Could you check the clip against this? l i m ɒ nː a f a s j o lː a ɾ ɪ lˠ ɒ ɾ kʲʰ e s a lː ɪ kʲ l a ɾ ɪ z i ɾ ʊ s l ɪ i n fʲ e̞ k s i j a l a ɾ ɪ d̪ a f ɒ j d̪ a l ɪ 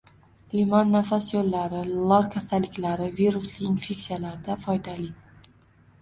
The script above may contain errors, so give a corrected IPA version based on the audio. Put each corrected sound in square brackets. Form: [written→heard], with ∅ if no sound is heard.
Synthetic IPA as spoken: l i m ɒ nː a f a s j o lː a ɾ ɪ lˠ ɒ ɾ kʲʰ [e→a] s a lː ɪ kʲ l a ɾ ɪ [z→v] i ɾ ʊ s l ɪ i n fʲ e̞ k s i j a l a ɾ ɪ d̪ a f ɒ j d̪ a l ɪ